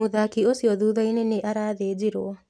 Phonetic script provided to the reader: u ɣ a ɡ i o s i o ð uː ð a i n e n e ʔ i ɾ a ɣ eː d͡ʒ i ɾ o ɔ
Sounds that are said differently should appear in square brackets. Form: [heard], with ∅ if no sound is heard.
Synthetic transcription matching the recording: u [ð] a [k] i o s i [ɔ] ð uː ð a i n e n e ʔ [a] ɾ a [ð] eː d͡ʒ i ɾ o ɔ